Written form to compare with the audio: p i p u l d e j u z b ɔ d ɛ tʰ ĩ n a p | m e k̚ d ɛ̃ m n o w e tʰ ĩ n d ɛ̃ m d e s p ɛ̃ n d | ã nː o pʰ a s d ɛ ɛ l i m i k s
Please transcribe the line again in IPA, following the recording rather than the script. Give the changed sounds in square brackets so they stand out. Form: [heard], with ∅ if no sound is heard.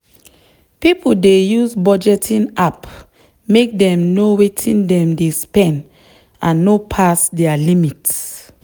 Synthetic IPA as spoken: p i p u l d e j u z b ɔ [d͡ʒ] ɛ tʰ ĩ n a p | m e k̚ d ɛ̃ m n o w e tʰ ĩ n d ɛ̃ m d e s p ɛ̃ n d | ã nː o pʰ a s d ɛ [a] l i m i [t] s